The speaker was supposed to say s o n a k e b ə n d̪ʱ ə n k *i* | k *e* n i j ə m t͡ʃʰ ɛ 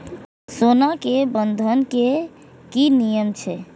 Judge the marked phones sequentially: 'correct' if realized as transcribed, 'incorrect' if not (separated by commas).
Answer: incorrect, incorrect